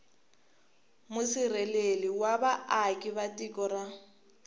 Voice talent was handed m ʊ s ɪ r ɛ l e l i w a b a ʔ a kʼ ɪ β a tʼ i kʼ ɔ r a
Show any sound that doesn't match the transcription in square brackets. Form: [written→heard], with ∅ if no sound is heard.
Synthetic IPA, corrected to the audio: m ʊ s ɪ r ɛ l e l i w a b a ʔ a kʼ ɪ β a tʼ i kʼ ɔ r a